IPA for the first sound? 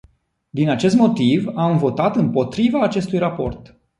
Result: d̪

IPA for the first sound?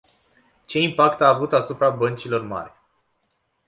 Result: t͡ʃ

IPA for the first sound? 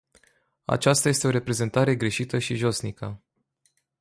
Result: a̰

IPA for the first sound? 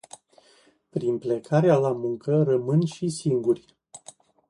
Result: p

